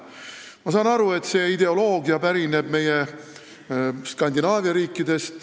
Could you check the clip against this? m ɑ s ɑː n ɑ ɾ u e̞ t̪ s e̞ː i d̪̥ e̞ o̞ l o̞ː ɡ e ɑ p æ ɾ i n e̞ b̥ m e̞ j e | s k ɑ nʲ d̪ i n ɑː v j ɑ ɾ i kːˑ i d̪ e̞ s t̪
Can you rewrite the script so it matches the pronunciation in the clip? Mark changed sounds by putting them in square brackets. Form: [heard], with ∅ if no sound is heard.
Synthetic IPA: m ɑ s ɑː n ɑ ɾ u e̞ t̪ s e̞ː i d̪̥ e̞ o̞ l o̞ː ɡ [i] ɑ p æ ɾ i n e̞ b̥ m e̞ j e | s k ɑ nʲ d̪ i n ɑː v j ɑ ɾ [iː] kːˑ i d̪ e̞ s t̪